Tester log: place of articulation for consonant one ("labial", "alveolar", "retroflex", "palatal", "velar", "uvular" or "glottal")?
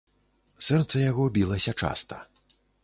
alveolar